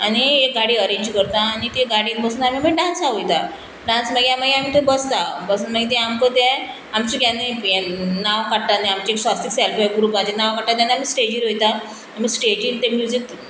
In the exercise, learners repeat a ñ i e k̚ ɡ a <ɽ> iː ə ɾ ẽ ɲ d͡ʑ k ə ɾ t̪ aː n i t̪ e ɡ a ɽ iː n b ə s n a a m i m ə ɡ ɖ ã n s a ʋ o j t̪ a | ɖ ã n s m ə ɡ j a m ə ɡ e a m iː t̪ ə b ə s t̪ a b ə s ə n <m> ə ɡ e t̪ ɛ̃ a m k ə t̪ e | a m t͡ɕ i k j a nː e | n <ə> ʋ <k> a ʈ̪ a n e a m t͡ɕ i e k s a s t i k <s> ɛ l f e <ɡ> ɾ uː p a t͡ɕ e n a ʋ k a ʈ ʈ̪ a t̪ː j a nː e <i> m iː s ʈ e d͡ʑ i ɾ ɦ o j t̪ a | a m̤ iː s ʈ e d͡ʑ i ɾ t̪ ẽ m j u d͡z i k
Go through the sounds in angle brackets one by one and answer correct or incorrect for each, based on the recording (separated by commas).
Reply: correct, correct, incorrect, correct, correct, correct, incorrect